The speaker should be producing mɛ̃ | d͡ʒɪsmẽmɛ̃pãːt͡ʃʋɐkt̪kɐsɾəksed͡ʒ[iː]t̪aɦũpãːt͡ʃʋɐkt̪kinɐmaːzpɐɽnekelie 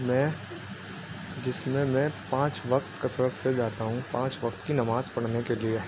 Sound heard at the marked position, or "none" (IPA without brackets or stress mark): aː